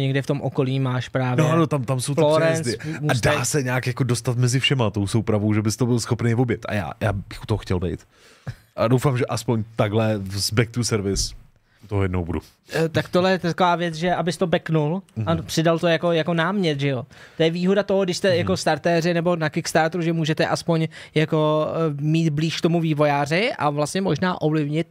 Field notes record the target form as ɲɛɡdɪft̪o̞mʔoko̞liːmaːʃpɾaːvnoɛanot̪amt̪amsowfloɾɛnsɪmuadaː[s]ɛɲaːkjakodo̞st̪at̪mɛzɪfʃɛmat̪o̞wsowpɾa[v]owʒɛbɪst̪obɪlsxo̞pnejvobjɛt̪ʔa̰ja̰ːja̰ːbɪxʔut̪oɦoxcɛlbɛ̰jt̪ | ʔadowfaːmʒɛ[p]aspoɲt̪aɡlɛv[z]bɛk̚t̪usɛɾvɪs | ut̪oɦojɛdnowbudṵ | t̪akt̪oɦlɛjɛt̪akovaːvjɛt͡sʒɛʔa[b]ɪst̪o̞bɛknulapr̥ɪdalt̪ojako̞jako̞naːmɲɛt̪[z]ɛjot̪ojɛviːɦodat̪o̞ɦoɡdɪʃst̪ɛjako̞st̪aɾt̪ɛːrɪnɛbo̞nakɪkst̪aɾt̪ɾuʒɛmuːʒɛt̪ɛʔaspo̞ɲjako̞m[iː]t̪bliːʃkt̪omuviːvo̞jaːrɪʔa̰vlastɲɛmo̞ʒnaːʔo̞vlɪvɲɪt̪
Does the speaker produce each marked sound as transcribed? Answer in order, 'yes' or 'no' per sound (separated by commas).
yes, yes, no, yes, yes, no, yes